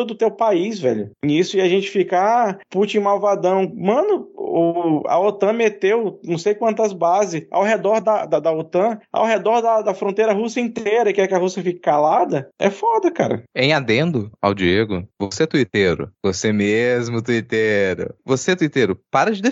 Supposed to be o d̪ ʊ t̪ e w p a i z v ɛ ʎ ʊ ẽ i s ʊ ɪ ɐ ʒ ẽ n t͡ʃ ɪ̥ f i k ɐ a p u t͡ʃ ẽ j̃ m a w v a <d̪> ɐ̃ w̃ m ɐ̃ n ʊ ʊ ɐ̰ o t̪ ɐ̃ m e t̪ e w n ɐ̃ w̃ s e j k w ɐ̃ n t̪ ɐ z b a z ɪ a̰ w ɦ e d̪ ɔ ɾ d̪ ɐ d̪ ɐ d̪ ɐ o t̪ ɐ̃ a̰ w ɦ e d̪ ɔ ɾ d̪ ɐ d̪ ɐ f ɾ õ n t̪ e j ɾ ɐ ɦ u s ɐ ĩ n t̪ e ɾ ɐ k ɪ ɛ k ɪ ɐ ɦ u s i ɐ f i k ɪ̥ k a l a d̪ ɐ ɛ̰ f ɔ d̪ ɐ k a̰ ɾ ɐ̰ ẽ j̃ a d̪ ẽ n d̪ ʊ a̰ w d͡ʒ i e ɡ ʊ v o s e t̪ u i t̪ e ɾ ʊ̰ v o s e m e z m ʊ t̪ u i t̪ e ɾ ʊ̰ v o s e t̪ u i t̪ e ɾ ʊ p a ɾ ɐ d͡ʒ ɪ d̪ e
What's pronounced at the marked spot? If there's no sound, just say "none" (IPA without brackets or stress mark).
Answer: d̪